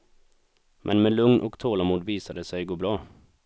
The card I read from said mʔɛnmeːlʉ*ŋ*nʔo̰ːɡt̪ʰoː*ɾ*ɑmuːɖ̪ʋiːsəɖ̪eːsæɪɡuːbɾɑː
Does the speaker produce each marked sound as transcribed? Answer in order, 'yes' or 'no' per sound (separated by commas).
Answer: yes, no